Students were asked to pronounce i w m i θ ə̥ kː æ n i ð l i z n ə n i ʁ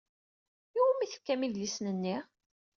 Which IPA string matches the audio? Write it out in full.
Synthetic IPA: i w m i θ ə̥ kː æ m i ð l i s n ə nː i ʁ